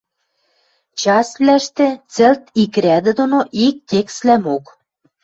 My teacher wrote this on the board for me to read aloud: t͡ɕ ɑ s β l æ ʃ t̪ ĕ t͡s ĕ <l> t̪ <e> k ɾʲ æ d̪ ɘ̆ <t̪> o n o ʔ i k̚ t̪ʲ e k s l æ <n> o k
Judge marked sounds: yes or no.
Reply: yes, no, no, no

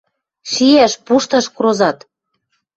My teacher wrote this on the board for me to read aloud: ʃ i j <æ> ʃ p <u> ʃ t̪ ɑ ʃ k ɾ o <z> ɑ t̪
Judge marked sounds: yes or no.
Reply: yes, yes, yes

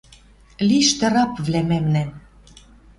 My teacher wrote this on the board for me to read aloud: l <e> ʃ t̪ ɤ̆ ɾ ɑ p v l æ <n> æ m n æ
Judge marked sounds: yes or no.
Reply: no, no

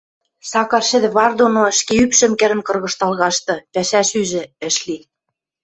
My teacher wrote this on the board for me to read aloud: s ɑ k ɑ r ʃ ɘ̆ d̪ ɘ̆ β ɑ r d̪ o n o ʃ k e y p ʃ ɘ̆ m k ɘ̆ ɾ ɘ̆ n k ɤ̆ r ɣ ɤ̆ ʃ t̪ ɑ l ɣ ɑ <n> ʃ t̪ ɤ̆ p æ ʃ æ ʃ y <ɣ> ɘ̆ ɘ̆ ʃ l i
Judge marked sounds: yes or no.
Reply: no, no

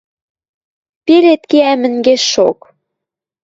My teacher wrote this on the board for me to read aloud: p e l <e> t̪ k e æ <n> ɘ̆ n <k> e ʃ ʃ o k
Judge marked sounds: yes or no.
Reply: yes, no, no

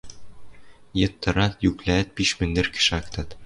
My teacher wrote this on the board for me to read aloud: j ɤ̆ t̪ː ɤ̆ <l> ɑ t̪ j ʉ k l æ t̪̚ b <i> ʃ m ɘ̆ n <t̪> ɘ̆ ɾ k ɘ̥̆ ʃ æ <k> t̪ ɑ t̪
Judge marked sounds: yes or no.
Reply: no, yes, no, yes

